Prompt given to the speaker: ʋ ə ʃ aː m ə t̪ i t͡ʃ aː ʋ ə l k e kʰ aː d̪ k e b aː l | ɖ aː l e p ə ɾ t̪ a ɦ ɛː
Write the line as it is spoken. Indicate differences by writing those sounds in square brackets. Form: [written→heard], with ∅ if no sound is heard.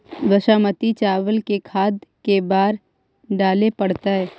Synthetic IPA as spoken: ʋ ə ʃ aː m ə t̪ i t͡ʃ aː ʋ ə l k e kʰ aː d̪ k e b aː [l→ɾ] | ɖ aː l e p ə [ɾ→ɽ] t̪ a ɦ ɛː